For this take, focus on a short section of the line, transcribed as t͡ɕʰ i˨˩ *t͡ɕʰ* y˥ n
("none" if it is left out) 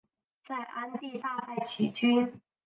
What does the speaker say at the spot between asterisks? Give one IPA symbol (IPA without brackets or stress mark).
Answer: t͡ɕ